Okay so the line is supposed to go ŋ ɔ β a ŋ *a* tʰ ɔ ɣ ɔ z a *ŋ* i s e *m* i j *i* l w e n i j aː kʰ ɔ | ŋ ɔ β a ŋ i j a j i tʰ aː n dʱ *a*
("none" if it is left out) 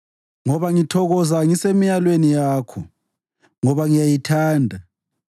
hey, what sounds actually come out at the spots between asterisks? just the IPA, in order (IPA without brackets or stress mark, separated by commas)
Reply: i, ŋ, m, a, a